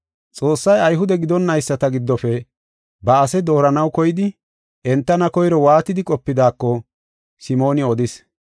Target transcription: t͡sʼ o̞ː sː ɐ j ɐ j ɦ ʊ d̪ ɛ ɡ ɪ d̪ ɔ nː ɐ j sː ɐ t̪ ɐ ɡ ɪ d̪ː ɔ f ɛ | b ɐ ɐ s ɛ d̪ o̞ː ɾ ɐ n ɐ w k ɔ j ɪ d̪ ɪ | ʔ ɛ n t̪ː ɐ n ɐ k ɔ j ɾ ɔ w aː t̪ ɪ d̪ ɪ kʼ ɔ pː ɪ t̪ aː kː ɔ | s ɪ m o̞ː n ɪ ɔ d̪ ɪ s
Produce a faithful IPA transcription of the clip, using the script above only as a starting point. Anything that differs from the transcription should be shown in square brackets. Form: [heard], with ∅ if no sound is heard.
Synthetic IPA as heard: t͡sʼ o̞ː sː ɐ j ɐ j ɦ ʊ d̪ ɛ ɡ ɪ d̪ ɔ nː ɐ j sː ɐ t̪ ɐ ɡ ɪ d̪ː ɔ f ɛ | b ɐ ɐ s ɛ d̪ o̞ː ɾ ɐ n ɐ w k ɔ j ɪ d̪ ɪ | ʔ ɛ n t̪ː ɐ n ɐ k ɔ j ɾ ɔ w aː t̪ ɪ d̪ ɪ kʼ ɔ pː ɪ [d̪] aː kː ɔ | s ɪ m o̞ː n ɪ ɔ d̪ ɪ s